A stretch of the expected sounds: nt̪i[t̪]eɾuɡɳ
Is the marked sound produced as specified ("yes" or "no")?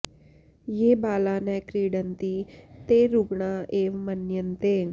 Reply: yes